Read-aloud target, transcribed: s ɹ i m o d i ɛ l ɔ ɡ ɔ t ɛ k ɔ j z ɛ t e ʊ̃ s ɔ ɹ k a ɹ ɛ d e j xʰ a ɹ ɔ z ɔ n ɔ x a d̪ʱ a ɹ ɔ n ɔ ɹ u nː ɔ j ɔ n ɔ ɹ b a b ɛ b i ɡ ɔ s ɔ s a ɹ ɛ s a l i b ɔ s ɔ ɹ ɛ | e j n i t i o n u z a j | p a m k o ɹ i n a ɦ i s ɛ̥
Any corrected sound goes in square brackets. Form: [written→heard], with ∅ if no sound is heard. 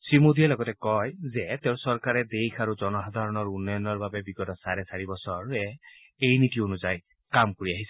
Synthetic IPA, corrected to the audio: s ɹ i m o d i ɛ l ɔ ɡ ɔ t ɛ k ɔ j z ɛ t e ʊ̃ s ɔ ɹ k a ɹ ɛ d e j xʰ a ɹ [ɔ→u] z ɔ n ɔ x a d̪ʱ a ɹ ɔ n ɔ ɹ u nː ɔ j ɔ n ɔ ɹ b a b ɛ b i ɡ ɔ [s→t] ɔ s a ɹ ɛ s a [l→ɹ] i b ɔ s ɔ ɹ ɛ | e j n i t i o n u z a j | [p→k] a m k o ɹ i [n→∅] a ɦ i s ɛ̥